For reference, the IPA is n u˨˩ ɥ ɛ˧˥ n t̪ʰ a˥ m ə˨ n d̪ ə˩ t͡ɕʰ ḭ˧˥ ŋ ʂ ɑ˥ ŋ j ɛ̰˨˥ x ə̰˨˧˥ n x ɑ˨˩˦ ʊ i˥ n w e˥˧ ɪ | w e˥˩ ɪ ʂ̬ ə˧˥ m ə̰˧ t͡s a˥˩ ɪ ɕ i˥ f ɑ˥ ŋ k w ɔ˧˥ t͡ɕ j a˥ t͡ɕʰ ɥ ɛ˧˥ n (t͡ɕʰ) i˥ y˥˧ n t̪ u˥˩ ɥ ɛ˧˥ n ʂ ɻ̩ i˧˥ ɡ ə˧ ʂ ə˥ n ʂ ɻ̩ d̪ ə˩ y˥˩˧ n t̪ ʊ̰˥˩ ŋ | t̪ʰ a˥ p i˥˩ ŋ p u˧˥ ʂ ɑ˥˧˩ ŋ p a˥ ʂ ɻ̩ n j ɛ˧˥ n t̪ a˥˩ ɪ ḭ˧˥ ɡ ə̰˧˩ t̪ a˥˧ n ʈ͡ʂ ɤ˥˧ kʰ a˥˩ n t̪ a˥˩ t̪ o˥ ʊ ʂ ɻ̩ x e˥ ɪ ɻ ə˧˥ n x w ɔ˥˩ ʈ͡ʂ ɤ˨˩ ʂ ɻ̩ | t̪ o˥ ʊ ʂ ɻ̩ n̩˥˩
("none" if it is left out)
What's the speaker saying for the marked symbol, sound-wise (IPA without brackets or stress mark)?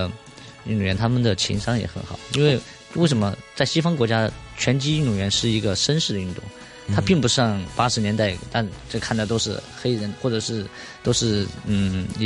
t͡ɕ